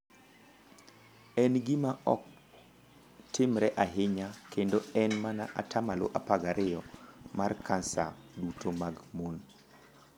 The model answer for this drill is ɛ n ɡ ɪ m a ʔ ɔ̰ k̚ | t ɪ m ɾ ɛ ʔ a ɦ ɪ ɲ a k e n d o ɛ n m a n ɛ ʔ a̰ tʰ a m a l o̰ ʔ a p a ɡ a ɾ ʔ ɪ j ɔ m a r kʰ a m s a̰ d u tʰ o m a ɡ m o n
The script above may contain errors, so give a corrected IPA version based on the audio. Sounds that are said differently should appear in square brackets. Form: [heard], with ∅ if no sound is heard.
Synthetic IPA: ɛ n ɡ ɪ m a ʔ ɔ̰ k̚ | t ɪ m ɾ ɛ ʔ a ɦ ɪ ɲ a k e n d o ɛ n m a n [a] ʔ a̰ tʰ a m a l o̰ ʔ a p a ɡ a ɾ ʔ ɪ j ɔ m a r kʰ a [n] s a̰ d u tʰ o m a ɡ m o n